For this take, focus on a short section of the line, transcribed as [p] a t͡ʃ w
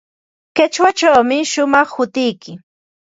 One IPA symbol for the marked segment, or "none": k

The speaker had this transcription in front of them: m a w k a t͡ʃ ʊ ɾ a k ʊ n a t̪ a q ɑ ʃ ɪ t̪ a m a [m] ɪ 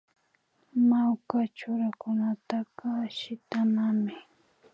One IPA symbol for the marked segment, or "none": m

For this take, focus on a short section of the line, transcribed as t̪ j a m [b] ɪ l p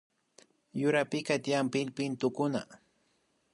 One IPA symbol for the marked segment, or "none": p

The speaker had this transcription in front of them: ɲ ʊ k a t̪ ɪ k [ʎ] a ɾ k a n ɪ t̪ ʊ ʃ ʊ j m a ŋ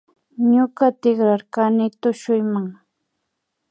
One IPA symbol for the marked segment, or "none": ɾ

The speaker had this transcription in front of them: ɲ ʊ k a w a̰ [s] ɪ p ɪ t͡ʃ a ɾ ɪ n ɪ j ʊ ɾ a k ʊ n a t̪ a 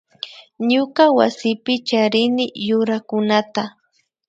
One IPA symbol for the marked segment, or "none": s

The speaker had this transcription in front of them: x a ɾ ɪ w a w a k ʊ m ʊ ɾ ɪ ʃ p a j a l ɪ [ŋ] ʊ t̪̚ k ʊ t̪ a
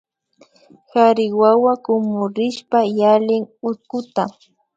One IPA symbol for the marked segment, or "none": ŋ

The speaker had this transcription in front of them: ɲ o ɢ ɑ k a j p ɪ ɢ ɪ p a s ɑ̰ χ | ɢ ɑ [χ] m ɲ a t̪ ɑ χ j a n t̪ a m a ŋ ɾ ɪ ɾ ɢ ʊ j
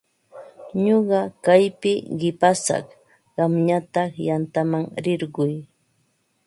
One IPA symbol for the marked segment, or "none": none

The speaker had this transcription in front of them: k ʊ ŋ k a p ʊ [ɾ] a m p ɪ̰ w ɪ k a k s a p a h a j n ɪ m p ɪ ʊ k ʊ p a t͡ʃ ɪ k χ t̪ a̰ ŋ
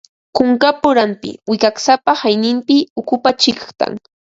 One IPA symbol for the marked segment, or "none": ɾ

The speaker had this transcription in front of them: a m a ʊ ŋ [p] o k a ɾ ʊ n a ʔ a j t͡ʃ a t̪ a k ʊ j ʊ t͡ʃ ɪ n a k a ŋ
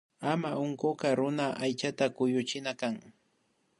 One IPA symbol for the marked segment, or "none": k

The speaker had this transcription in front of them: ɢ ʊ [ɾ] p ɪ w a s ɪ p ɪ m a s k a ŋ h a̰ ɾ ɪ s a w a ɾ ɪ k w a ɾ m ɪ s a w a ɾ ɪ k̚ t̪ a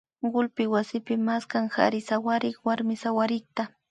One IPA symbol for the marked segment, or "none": l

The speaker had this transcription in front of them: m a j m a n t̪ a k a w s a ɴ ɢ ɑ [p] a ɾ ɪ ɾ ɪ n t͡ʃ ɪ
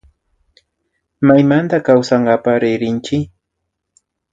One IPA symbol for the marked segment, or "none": p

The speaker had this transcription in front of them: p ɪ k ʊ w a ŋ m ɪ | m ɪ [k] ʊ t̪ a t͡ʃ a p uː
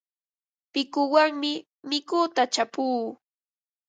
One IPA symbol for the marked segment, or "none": k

